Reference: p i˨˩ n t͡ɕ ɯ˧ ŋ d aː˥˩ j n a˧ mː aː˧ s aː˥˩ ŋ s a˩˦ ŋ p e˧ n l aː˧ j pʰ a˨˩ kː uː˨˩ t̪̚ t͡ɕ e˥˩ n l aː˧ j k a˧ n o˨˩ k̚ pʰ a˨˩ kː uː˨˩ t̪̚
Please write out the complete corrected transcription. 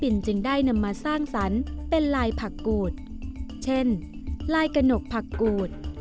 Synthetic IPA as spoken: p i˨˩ n t͡ɕ ɯ˧ ŋ d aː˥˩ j n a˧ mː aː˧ s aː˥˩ ŋ s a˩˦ n p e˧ n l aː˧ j pʰ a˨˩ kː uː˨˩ t̪̚ t͡ɕʰ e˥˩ n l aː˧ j k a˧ n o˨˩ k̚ pʰ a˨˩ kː uː˨˩ t̪̚